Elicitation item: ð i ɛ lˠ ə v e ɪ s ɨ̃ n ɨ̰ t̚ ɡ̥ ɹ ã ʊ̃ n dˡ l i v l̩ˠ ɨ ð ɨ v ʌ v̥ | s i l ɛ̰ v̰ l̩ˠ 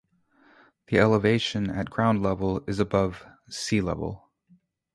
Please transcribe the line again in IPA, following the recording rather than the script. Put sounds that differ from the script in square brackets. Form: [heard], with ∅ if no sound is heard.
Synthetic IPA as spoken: ð i ɛ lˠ ə v e ɪ [ʃ] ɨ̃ n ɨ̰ t̚ ɡ̥ ɹ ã ʊ̃ n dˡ l [ɛ] v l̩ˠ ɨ [z] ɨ [b] ʌ v̥ | s i l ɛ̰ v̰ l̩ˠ